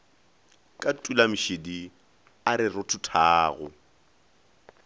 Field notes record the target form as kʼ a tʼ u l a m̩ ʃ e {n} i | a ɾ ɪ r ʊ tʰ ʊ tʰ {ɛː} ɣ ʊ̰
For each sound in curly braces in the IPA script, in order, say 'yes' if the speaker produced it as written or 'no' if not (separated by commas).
no, no